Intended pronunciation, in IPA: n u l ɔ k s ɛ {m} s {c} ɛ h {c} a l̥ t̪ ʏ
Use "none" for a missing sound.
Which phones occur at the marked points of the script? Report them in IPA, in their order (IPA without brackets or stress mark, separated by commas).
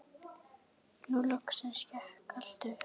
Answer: n, c, k